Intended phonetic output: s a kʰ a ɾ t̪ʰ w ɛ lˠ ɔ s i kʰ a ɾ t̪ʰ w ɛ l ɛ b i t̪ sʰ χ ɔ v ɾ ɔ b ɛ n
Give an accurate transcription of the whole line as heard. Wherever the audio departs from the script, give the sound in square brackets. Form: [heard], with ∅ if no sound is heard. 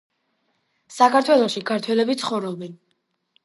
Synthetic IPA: s a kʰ a ɾ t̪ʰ w ɛ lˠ ɔ [ʃ] i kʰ a ɾ t̪ʰ w ɛ l ɛ b i t̪ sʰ χ ɔ v ɾ ɔ b ɛ n